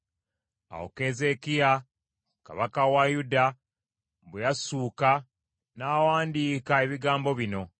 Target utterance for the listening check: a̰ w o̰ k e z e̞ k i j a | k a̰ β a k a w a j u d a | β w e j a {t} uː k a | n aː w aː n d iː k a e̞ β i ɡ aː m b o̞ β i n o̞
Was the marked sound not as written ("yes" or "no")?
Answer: yes